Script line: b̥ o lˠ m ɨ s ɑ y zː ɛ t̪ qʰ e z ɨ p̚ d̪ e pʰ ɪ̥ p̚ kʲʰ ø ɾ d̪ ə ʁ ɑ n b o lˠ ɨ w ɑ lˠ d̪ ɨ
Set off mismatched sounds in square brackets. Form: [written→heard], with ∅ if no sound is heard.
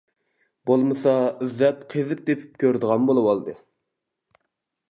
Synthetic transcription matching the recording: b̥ o lˠ m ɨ s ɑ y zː ɛ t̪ qʰ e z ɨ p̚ d̪ e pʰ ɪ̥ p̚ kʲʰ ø ɾ d̪ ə ʁ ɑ n b o lˠ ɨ w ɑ lˠ d̪ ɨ

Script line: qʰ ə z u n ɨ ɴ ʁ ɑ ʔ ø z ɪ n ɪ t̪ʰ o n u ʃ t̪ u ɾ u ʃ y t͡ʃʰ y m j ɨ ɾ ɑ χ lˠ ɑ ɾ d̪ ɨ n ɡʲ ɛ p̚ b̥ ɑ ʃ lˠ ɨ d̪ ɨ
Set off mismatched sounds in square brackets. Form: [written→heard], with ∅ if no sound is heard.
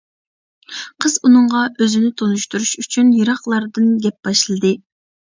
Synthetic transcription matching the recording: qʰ ə z u n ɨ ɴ ʁ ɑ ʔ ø z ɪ n ɪ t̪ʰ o n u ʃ t̪ u ɾ u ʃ y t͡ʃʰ y [m→n] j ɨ ɾ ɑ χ lˠ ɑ ɾ d̪ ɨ n ɡʲ ɛ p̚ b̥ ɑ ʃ lˠ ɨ d̪ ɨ

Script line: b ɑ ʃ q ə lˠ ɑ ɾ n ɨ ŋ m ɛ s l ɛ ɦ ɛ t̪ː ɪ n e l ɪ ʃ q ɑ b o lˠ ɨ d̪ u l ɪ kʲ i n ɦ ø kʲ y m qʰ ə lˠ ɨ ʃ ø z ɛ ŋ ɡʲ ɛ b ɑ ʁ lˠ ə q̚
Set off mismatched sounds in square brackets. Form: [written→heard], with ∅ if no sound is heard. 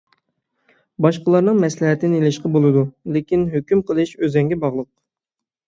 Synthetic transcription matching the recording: b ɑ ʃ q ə lˠ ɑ ɾ n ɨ ŋ m ɛ s l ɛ ɦ ɛ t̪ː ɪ n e l ɪ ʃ q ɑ b o lˠ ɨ d̪ u l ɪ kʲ i n ɦ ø kʲ y m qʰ ə lˠ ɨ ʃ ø z ɛ ŋ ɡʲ ɛ b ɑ ʁ lˠ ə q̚

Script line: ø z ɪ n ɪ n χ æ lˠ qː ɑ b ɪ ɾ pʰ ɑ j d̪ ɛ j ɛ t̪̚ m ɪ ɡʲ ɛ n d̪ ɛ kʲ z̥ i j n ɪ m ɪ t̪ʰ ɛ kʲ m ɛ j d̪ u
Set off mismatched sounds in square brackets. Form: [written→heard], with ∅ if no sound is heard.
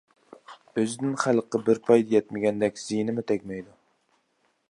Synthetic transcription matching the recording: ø z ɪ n ɪ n χ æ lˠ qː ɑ b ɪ ɾ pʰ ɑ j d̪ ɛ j ɛ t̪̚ m ɪ ɡʲ ɛ n d̪ ɛ kʲ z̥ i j n ɪ m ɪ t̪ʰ ɛ kʲ m ɛ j d̪ u

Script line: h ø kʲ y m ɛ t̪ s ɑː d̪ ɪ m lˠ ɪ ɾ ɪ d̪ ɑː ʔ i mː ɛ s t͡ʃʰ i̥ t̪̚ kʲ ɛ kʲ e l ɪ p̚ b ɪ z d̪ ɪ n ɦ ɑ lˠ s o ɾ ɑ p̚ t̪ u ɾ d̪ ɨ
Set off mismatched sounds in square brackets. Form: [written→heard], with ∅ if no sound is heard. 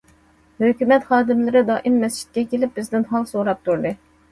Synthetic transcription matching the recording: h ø kʲ y m ɛ t̪ [s→χ] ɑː d̪ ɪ m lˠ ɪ ɾ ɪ d̪ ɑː ʔ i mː ɛ s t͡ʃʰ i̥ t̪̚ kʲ ɛ kʲ e l ɪ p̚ b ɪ z d̪ ɪ n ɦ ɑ lˠ s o ɾ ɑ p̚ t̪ u ɾ d̪ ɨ

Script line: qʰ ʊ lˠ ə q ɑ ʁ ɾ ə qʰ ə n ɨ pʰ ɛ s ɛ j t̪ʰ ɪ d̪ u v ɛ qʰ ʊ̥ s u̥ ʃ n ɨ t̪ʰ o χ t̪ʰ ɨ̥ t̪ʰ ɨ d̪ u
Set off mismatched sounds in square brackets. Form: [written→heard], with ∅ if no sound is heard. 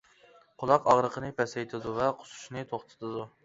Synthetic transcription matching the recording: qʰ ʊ lˠ [ə→ɑ] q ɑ ʁ ɾ ə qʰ ə n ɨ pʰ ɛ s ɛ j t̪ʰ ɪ d̪ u v ɛ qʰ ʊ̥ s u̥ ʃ n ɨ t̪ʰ o χ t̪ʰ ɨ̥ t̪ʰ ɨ d̪ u

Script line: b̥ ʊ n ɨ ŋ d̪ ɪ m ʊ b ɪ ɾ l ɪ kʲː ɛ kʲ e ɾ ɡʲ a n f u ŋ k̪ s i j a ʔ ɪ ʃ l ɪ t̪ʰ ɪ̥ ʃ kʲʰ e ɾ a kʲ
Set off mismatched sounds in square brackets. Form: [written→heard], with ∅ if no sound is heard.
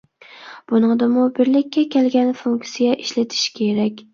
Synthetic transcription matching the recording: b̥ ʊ n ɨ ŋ d̪ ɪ m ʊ b ɪ ɾ l ɪ kʲː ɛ kʲ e [ɾ→l] ɡʲ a n f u ŋ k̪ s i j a ʔ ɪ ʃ l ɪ t̪ʰ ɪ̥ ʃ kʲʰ e ɾ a kʲ

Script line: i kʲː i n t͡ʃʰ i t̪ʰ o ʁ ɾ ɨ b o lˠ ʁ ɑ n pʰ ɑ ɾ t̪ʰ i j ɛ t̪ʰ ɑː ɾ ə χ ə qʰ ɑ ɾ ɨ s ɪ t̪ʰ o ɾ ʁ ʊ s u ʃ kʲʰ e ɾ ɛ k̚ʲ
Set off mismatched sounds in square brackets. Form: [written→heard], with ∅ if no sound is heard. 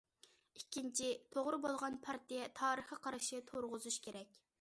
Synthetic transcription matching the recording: i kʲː i n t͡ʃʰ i t̪ʰ o ʁ ɾ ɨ b o lˠ ʁ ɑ n pʰ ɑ ɾ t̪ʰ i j ɛ t̪ʰ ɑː ɾ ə χ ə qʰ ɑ ɾ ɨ [s→ʃ] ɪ t̪ʰ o ɾ ʁ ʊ [s→z] u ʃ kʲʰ e ɾ ɛ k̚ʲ

